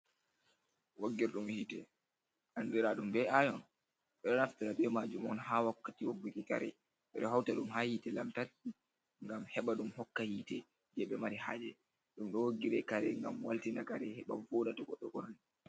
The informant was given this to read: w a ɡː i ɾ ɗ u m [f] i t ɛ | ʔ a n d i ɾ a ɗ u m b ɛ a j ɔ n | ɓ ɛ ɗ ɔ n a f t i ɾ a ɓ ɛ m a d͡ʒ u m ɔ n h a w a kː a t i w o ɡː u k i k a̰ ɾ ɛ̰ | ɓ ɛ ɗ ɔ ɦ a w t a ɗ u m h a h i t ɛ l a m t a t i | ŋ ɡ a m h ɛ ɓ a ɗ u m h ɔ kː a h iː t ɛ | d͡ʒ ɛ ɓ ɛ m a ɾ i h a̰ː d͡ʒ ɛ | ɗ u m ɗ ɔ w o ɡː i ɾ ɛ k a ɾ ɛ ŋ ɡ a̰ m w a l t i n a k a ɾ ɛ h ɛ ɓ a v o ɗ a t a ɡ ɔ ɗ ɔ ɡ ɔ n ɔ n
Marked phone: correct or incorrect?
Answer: incorrect